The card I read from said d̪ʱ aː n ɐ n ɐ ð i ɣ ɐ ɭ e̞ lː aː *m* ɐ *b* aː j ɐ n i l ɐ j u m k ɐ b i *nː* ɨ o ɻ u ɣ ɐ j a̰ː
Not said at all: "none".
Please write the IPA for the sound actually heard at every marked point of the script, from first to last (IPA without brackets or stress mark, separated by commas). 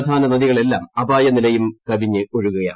m, b, ɲː